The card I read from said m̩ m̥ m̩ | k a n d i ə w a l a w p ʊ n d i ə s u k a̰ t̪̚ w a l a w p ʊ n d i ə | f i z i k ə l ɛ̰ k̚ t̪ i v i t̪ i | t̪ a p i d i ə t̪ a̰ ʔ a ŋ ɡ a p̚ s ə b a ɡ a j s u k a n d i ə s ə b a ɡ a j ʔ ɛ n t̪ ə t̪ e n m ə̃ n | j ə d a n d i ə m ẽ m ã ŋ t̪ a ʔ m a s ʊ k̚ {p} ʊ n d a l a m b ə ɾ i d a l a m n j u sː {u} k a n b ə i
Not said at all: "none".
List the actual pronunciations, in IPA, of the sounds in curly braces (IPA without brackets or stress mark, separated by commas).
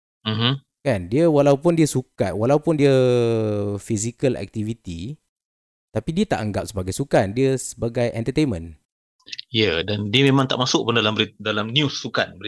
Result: p, u